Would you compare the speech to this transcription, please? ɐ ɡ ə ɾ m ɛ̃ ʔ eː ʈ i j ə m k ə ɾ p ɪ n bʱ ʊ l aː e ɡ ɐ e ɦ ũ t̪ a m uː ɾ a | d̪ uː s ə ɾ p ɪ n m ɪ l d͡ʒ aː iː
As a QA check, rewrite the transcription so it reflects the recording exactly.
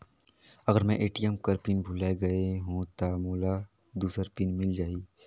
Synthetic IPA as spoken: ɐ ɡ ə ɾ m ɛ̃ ʔ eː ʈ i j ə m k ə ɾ p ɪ n bʱ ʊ l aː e ɡ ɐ e ɦ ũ t̪ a m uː l a | d̪ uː s ə ɾ p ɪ n m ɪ l d͡ʒ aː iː